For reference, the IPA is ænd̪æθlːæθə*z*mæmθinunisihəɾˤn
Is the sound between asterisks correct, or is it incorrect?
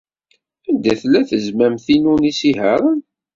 correct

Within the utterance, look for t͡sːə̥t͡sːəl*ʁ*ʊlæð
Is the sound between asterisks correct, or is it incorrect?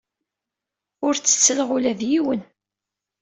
correct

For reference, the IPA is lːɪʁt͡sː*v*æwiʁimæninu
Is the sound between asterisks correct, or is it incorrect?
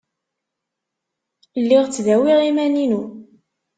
incorrect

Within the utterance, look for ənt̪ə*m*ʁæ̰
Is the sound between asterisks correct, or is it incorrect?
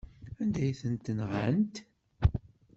incorrect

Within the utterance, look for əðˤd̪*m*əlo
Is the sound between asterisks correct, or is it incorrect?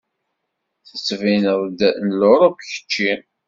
incorrect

